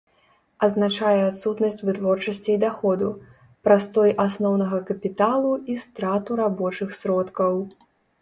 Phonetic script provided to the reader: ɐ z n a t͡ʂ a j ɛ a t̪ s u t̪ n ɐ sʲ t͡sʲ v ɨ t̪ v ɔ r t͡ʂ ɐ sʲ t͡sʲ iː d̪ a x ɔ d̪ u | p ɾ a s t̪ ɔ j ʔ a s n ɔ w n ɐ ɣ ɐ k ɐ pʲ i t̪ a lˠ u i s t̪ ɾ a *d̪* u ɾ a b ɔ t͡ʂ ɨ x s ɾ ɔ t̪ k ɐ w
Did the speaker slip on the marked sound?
yes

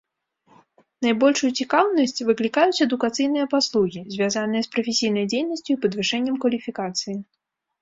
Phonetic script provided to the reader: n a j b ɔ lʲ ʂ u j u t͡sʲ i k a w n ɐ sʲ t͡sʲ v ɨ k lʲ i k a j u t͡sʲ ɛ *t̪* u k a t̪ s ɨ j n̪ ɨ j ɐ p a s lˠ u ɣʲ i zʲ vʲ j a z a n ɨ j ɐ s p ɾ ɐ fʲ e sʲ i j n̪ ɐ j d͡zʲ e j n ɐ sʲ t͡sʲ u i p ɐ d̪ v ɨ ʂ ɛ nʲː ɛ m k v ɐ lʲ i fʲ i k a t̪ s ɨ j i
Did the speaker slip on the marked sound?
yes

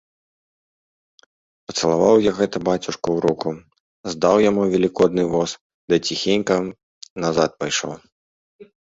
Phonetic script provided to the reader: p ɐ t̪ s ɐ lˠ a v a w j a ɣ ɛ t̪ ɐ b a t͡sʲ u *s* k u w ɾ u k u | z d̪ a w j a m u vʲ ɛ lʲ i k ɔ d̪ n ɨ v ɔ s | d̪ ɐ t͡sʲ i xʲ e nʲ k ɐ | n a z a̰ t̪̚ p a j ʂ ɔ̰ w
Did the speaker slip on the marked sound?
yes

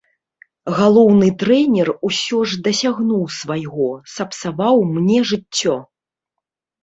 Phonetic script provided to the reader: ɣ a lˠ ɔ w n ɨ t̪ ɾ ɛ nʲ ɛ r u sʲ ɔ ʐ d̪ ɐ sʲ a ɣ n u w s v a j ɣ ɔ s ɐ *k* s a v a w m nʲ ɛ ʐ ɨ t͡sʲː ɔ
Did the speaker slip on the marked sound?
yes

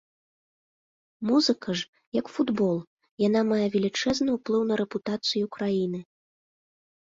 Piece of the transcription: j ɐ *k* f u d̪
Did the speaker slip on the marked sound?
no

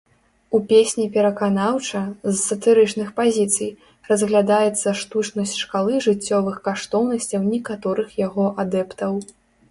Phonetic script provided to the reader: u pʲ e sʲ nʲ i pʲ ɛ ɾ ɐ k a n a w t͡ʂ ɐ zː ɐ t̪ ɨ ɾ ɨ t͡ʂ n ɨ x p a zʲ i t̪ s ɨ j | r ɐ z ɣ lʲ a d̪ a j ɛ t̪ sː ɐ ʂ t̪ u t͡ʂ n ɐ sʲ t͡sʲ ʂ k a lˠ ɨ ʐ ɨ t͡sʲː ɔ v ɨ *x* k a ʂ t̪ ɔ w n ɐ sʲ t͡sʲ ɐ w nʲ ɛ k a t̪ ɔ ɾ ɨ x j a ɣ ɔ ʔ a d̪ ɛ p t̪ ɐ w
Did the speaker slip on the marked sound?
no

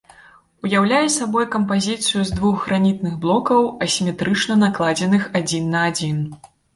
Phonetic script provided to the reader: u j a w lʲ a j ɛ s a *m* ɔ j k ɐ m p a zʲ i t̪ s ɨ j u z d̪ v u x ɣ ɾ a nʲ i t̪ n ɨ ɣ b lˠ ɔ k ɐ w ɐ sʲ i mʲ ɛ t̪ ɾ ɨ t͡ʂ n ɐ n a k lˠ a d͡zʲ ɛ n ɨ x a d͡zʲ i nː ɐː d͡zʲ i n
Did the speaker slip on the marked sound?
yes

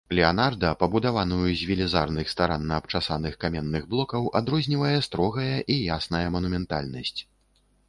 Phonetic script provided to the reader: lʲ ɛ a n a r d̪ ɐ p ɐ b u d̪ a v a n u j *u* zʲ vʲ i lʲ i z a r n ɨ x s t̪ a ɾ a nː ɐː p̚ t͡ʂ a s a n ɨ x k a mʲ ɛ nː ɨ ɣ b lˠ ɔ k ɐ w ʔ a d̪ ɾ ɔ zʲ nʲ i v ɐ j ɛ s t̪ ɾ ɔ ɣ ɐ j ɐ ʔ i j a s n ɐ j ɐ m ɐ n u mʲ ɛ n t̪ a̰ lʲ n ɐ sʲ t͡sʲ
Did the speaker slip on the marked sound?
no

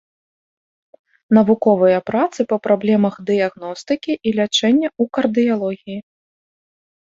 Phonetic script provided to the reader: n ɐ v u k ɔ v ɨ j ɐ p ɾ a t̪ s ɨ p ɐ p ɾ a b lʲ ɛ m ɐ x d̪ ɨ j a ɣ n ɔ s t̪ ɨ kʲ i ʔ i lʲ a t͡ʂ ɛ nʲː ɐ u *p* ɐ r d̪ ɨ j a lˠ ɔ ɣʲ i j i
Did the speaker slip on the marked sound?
yes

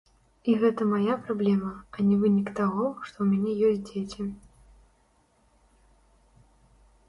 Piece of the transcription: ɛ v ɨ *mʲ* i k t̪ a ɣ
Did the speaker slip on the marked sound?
yes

